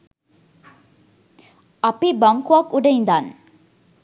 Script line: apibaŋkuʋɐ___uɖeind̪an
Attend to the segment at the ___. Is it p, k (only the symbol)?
k